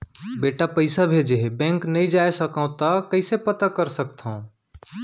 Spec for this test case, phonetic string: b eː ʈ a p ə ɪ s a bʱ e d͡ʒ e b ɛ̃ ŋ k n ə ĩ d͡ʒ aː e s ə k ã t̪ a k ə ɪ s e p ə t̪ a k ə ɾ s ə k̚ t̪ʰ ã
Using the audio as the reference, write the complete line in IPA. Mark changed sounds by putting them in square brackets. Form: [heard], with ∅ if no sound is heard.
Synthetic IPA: b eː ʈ a p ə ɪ s a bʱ e d͡ʒ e b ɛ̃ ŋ k n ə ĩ d͡ʒ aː e s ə k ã t̪ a k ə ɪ s e p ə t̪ a k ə ɾ s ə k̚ t̪ʰ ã